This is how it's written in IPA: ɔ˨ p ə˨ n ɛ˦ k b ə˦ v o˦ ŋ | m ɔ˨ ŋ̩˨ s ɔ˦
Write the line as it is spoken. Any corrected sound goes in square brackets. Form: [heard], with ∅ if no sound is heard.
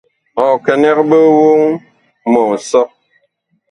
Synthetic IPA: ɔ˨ [k] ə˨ n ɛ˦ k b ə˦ [w] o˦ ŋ | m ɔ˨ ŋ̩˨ s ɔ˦